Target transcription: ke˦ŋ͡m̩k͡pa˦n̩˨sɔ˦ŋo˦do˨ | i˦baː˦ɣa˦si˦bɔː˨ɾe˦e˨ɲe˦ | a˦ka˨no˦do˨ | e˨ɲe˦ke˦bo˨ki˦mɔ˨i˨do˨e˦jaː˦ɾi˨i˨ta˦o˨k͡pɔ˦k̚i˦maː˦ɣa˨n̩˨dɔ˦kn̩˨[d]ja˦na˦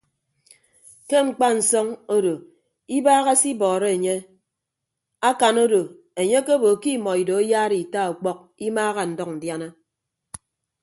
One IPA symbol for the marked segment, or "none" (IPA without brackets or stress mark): d